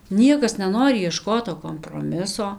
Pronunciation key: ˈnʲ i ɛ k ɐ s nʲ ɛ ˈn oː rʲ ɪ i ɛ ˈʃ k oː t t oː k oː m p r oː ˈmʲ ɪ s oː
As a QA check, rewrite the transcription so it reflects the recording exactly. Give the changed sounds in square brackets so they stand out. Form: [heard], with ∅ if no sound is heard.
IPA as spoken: ˈnʲ i ɛ k ɐ s nʲ ɛ ˈn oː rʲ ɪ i ɛ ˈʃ k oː t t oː k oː m p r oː ˈmʲ ɪ s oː